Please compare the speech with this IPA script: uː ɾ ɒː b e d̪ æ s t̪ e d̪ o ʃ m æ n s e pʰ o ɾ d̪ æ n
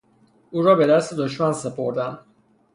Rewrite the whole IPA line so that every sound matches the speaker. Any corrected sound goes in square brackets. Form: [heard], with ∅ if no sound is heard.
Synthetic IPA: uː ɾ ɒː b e d̪ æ s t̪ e d̪ o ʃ m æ n s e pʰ o ɾ d̪ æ n